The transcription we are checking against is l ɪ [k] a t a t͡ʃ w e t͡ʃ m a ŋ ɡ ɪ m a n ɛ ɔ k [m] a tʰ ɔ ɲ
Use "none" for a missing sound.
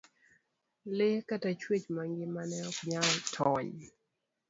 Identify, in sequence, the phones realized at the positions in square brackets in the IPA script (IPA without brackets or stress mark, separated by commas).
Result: k, ɲ